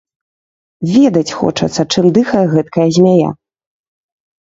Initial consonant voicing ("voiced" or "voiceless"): voiced